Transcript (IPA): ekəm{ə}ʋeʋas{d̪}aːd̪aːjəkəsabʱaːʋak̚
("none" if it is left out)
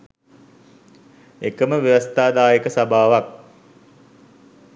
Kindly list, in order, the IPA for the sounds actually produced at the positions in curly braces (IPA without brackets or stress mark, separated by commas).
ə, t̪